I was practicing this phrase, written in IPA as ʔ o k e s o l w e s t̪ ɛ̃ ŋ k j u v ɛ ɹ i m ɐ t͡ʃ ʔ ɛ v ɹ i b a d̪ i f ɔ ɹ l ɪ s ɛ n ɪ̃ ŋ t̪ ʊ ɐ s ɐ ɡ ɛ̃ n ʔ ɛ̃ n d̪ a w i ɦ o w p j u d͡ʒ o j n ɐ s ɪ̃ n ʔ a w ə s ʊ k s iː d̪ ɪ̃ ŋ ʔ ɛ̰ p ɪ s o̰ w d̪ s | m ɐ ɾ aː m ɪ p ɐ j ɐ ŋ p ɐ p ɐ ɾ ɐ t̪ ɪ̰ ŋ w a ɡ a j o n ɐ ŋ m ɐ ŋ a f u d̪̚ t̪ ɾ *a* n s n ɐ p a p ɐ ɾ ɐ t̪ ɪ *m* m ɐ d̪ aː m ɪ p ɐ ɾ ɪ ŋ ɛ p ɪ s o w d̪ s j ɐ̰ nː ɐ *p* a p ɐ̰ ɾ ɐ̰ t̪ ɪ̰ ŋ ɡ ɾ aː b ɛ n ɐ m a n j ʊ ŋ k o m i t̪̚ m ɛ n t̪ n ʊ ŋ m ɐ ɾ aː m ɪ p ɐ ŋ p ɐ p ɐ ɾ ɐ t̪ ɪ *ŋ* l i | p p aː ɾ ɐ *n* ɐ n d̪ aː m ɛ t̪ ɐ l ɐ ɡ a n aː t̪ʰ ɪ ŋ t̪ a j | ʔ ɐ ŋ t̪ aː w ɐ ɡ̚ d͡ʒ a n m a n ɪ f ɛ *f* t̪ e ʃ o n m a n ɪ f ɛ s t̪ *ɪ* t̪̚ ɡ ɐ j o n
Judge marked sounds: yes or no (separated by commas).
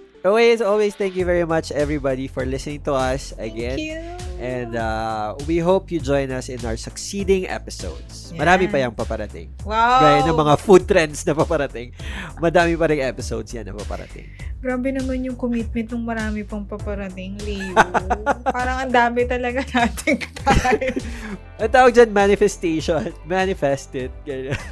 no, no, yes, yes, no, no, yes